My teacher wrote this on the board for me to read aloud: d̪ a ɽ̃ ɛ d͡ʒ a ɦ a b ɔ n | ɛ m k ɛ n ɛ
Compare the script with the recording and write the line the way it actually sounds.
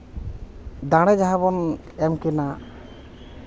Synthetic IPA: d̪ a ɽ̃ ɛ d͡ʒ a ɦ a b ɔ n | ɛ m k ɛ n a